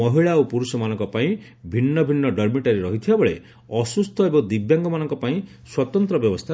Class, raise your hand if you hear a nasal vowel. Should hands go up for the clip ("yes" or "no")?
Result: yes